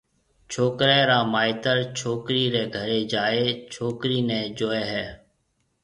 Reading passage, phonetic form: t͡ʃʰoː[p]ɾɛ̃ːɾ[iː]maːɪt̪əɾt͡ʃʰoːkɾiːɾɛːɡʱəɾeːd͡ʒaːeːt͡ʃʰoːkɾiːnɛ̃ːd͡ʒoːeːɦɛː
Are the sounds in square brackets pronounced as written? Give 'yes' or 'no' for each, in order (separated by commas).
no, no